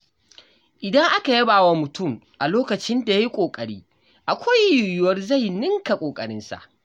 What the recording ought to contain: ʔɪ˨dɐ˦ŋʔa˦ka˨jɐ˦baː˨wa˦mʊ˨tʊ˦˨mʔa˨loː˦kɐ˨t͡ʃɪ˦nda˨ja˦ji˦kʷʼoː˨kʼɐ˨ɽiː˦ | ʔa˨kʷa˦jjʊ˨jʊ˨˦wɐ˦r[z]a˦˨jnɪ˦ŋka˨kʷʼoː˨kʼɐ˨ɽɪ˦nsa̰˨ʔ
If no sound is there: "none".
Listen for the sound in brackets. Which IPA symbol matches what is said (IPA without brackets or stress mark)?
z